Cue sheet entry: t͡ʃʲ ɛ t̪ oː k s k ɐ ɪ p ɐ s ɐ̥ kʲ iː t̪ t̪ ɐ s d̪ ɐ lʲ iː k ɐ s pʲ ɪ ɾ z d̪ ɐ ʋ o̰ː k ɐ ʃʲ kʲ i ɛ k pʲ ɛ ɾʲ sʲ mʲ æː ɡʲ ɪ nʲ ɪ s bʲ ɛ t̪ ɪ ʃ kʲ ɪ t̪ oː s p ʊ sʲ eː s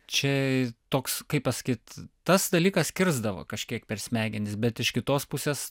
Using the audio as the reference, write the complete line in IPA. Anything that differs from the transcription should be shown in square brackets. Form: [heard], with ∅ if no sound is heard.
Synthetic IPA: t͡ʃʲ ɛ t̪ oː k s k ɐ ɪ p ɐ s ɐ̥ kʲ iː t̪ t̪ ɐ s d̪ ɐ lʲ iː k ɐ s [kʲ] ɪ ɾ z d̪ ɐ ʋ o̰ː k ɐ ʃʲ kʲ i ɛ k pʲ ɛ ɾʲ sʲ mʲ æː ɡʲ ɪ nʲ ɪ s bʲ ɛ t̪ ɪ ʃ kʲ ɪ t̪ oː s p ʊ sʲ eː s